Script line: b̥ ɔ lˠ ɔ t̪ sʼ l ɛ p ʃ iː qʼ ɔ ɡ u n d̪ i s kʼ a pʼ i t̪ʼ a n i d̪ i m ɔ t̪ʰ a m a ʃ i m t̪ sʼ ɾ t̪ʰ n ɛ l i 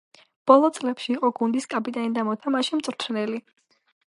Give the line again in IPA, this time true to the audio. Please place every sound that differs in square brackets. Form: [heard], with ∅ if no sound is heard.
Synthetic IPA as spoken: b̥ ɔ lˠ ɔ t̪ sʼ l ɛ p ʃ iː qʼ ɔ ɡ u n d̪ i s kʼ a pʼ i t̪ʼ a n i d̪ [a] m ɔ t̪ʰ a m a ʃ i m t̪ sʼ ɾ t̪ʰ n ɛ l i